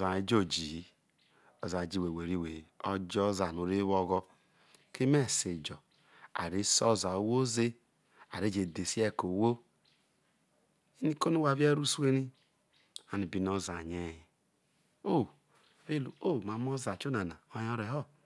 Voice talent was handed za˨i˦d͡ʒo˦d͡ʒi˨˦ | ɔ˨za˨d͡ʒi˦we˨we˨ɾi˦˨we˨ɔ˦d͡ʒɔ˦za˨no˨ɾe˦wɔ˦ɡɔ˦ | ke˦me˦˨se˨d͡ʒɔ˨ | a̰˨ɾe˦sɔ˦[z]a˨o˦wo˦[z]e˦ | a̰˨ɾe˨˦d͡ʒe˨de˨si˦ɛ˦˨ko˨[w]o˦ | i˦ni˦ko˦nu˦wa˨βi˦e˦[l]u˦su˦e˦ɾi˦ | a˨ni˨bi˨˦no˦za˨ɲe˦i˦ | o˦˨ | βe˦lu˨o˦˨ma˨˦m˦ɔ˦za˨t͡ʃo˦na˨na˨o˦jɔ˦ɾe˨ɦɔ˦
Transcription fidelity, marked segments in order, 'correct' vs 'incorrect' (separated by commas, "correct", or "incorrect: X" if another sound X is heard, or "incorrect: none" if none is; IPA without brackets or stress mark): correct, correct, correct, incorrect: ɾ